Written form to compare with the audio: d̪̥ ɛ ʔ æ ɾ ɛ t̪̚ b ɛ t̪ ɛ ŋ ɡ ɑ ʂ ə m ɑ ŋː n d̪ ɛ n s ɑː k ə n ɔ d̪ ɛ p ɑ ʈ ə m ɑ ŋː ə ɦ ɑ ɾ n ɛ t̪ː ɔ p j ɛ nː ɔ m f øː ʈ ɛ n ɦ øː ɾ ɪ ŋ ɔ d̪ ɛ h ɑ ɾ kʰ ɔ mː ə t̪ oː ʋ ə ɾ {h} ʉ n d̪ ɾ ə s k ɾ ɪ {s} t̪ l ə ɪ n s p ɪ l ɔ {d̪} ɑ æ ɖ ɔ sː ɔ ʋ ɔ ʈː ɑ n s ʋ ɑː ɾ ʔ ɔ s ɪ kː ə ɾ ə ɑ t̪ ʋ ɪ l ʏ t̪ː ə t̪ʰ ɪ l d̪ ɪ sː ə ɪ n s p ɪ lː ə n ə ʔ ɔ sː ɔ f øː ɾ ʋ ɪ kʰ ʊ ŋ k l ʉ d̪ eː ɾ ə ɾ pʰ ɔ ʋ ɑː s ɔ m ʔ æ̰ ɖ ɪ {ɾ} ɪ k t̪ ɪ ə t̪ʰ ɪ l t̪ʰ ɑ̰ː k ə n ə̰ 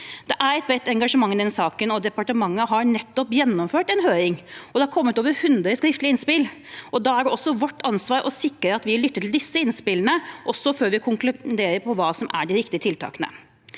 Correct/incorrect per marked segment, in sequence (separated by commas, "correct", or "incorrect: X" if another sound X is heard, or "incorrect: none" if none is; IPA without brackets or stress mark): correct, incorrect: f, correct, correct